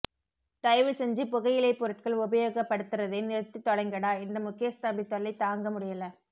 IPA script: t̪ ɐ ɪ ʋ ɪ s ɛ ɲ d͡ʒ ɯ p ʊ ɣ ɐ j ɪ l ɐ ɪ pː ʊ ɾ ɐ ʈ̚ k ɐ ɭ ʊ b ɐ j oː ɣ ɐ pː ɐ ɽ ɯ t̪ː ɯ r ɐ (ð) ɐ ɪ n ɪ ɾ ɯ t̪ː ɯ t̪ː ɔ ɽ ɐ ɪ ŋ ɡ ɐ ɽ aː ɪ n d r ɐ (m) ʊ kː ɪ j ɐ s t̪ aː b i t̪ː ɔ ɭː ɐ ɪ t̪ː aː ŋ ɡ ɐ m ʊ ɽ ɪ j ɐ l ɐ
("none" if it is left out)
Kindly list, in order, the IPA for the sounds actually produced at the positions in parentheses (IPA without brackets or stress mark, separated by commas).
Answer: ð, m